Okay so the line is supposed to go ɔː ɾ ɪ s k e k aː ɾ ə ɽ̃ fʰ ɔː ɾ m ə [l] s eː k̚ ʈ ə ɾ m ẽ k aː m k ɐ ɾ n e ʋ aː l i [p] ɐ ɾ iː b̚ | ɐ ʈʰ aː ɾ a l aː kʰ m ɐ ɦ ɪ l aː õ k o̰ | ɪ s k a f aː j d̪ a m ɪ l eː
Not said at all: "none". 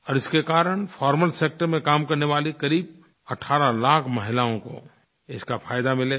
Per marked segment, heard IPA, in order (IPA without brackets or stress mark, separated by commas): l, k